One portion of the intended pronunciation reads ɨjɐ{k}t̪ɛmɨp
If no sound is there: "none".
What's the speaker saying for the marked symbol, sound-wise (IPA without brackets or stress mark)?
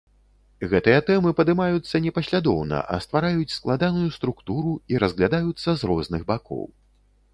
none